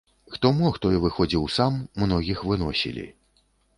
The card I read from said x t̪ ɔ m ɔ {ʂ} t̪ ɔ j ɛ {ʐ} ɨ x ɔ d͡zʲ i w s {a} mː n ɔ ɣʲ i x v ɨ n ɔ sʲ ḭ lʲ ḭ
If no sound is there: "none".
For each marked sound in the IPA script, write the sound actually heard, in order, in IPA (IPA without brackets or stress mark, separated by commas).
x, v, a